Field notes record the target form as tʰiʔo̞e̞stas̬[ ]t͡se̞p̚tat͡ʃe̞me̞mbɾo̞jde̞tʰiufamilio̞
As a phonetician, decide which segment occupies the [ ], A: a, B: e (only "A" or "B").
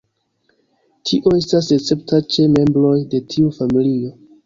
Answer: B